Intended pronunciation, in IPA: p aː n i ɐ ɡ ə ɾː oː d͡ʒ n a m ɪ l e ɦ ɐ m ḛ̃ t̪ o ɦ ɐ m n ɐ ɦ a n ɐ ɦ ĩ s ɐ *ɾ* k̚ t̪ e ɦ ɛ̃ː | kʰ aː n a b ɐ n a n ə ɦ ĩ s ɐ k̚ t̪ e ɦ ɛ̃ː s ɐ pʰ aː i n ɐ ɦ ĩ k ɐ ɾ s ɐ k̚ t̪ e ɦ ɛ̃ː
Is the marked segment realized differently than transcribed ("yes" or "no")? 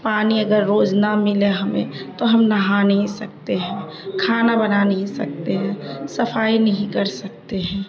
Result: yes